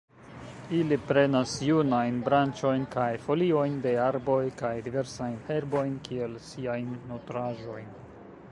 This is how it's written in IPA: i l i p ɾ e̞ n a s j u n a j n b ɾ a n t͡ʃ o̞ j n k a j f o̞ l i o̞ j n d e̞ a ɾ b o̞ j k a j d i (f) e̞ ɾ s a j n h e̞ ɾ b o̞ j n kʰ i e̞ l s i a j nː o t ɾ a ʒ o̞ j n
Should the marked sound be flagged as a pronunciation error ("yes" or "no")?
yes